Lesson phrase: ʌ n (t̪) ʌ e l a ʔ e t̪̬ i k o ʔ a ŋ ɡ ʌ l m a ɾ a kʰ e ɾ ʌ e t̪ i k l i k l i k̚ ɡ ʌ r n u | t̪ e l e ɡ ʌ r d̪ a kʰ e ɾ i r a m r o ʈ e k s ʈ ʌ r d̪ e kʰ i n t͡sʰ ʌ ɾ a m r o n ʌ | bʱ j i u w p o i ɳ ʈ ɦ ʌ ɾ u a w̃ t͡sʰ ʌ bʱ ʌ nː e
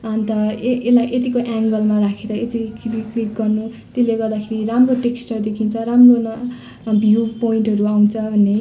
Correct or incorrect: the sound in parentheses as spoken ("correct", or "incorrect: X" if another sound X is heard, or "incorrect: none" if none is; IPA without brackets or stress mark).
correct